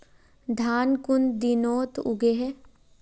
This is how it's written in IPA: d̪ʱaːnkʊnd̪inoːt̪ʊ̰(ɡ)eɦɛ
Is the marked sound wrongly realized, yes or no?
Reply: no